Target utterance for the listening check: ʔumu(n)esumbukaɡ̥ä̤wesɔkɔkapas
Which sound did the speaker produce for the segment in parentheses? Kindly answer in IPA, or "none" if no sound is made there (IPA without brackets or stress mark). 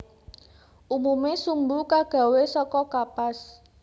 m